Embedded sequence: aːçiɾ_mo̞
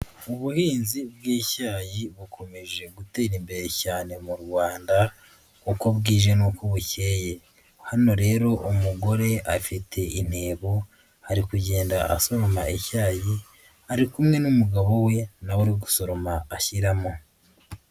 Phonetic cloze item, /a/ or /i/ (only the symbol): a